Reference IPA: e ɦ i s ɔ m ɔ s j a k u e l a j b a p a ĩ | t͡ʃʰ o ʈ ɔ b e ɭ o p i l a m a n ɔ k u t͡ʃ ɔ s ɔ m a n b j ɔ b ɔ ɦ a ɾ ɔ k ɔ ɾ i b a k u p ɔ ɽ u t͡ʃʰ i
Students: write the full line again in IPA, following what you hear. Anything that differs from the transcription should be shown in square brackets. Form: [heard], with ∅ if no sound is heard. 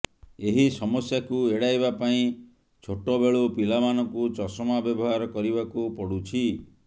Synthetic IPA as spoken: e ɦ i s ɔ m ɔ s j a k u e [ɽ] a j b a p a ĩ | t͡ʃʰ o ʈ ɔ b e ɭ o p i l a m a n ɔ k u t͡ʃ ɔ s ɔ m a [∅] b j ɔ b ɔ ɦ a ɾ ɔ k ɔ ɾ i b a k u p ɔ ɽ u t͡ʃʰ i